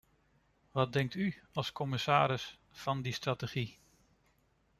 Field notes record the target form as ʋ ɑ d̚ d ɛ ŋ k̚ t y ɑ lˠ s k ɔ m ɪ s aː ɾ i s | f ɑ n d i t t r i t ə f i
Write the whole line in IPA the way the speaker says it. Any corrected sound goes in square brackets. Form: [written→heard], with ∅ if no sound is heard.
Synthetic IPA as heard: ʋ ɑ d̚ d ɛ ŋ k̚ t y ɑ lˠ s k ɔ m ɪ s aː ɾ [i→ɪ] s | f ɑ n d i [t→s] t r [i→a] t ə [f→χ] i